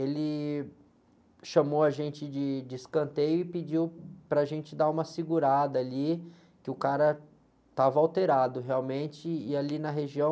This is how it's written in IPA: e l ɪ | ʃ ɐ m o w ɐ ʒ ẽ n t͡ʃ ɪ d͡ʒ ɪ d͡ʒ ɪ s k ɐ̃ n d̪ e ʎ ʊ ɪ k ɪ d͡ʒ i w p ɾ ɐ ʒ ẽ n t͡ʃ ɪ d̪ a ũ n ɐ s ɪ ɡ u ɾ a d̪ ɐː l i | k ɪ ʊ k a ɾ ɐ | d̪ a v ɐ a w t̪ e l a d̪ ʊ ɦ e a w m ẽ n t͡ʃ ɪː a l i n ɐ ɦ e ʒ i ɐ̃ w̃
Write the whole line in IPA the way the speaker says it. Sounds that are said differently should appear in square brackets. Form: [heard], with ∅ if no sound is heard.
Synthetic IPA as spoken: e l ɪ | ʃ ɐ m o w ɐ ʒ ẽ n t͡ʃ ɪ d͡ʒ ɪ d͡ʒ ɪ s k ɐ̃ n [t̪] e [j] ʊ ɪ [p] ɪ d͡ʒ i w p ɾ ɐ ʒ ẽ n t͡ʃ ɪ d̪ a ũ [m] ɐ s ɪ ɡ u ɾ a d̪ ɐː l i | k ɪ ʊ k a ɾ ɐ | [t̪] a v ɐ a w t̪ e [ɾ] a d̪ ʊ ɦ e a w m ẽ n t͡ʃ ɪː a l i n ɐ ɦ e ʒ i ɐ̃ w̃